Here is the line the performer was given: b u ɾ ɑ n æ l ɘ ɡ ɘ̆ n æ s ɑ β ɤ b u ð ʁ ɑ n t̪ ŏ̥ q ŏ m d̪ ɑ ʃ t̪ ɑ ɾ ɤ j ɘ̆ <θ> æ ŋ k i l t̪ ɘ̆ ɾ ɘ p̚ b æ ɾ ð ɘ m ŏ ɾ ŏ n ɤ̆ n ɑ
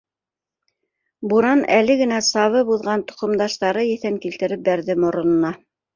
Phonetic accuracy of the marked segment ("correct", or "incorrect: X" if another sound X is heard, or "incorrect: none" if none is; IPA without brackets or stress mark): correct